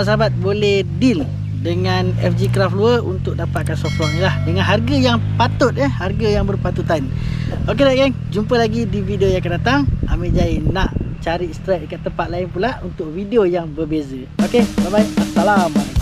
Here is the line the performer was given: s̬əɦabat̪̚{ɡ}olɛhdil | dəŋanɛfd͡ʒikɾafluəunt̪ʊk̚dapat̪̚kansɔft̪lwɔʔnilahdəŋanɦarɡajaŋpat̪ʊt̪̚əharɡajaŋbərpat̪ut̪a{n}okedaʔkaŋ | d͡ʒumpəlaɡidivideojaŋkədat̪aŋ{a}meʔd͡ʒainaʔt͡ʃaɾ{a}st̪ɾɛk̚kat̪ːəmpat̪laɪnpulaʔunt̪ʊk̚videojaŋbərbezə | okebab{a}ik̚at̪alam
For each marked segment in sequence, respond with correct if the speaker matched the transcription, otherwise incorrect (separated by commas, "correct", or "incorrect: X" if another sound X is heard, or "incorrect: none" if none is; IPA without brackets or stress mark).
incorrect: b, correct, correct, incorrect: i, correct